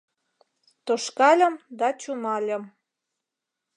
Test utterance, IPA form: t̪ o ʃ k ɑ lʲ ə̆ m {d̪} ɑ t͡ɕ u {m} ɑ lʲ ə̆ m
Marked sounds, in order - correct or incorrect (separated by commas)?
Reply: correct, correct